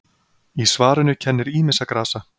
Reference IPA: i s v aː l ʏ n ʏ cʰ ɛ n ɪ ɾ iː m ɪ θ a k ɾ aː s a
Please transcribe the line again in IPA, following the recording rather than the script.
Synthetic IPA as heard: i s v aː ɾ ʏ n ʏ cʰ ɛ nː ɪ ɾ iː m ɪ s a k ɾ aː s a